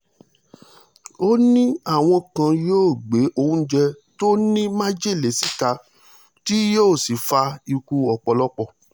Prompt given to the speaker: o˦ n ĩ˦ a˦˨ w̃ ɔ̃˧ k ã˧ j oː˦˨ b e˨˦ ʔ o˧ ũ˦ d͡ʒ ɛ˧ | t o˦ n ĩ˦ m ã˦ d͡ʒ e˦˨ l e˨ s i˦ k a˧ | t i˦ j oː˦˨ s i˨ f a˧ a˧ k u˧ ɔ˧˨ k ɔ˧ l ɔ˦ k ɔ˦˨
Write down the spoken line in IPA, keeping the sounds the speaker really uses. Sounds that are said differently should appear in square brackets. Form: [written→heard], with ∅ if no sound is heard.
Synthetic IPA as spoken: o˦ n ĩ˦ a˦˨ w̃ ɔ̃˧ k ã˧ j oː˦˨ [b→ɡ͡b] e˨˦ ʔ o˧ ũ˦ d͡ʒ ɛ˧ | t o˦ n ĩ˦ m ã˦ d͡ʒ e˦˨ l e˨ s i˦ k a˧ | t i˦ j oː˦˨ s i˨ f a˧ [a˧→i˧] k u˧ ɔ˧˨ [k→k͡p] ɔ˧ l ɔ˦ [k→k͡p] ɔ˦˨